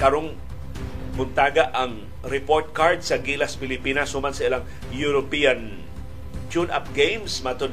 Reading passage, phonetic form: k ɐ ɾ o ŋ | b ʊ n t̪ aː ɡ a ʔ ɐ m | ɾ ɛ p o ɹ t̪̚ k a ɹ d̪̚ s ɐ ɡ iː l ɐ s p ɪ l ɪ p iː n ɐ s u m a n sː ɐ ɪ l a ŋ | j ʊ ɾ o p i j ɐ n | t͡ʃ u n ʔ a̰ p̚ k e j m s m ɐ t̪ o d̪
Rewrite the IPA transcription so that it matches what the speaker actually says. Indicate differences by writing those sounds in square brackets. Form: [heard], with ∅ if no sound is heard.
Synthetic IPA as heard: k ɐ ɾ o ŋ | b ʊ n t̪ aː ɡ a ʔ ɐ [ŋ] | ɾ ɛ p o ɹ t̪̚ k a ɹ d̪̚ s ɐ ɡ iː l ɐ s p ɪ l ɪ p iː n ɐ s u m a n [s] ɐ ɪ l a ŋ | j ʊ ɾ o p i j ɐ n | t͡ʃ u n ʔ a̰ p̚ [ɡ] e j m s m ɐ t̪ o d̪